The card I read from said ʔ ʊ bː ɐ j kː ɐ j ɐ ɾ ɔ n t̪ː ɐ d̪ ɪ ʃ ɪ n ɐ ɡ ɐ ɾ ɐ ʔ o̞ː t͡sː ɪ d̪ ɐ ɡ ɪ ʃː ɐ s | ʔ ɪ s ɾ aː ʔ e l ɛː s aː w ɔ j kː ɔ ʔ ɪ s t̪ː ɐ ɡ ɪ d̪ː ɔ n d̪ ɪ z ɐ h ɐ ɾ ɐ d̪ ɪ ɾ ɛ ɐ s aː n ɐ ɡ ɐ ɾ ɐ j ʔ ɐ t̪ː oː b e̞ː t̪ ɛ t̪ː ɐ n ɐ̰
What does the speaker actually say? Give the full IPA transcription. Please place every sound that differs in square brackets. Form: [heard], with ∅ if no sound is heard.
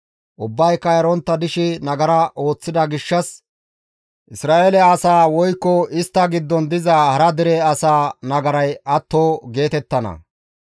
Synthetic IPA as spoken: ʔ ʊ bː ɐ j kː ɐ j ɐ ɾ ɔ n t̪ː ɐ d̪ ɪ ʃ ɪ n ɐ ɡ ɐ ɾ ɐ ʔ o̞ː t͡sː ɪ d̪ ɐ ɡ ɪ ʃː ɐ s | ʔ ɪ s ɾ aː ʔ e l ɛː s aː w ɔ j kː ɔ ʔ ɪ s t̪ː ɐ ɡ ɪ d̪ː ɔ n d̪ ɪ z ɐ h ɐ ɾ ɐ d̪ ɪ ɾ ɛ ɐ s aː n ɐ ɡ ɐ ɾ ɐ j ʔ ɐ t̪ː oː [ɡ] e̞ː t̪ ɛ t̪ː ɐ n ɐ̰